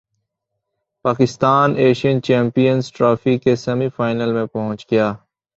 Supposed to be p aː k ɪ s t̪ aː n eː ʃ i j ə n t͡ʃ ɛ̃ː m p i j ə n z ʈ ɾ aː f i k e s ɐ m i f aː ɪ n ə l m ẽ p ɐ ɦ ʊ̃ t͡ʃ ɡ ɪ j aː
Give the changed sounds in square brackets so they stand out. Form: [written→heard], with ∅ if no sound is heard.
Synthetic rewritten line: p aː k ɪ s t̪ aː n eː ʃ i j ə n t͡ʃ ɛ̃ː m p i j ə n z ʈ ɾ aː f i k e s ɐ m i f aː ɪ n ə l m ẽ p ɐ ɦ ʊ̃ t͡ʃ ɡ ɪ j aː